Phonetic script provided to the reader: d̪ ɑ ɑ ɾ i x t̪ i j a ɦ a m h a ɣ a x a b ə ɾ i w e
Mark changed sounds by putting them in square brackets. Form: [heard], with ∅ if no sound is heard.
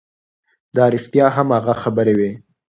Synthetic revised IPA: d̪ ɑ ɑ ɾ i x t̪ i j [ɑ] ɦ a m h a ɣ a x a b ə ɾ [e] w e